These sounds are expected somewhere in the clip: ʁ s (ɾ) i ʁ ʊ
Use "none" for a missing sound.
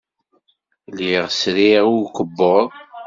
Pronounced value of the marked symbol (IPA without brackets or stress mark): ɾ